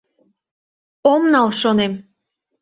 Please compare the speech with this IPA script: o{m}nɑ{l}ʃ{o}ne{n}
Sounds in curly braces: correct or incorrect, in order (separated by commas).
correct, correct, correct, incorrect